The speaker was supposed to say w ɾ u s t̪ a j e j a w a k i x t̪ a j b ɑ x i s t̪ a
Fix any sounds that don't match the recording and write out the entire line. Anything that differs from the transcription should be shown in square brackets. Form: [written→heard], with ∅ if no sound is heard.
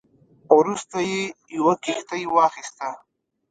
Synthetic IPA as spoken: w ɾ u s t̪ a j e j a w a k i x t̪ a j [b→w] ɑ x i s t̪ a